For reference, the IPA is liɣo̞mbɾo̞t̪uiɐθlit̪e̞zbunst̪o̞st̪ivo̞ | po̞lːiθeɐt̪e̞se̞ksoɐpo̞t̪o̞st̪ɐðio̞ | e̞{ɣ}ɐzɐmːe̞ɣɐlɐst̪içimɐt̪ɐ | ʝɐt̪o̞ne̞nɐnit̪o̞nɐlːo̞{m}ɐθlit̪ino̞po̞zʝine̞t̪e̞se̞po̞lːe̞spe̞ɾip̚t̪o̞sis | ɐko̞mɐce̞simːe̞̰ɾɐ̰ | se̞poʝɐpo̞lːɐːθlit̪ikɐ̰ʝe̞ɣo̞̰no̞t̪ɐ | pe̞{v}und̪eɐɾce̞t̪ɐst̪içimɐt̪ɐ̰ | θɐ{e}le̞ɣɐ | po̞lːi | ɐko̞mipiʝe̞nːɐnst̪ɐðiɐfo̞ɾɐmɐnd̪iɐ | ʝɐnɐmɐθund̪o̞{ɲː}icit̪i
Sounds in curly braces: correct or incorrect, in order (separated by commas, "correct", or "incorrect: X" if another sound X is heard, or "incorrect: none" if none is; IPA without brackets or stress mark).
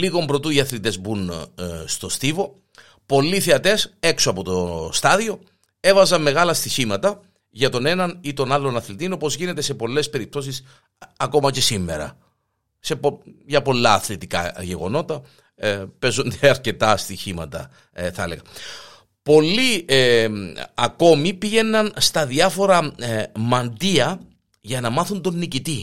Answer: incorrect: v, incorrect: n, incorrect: z, correct, incorrect: nː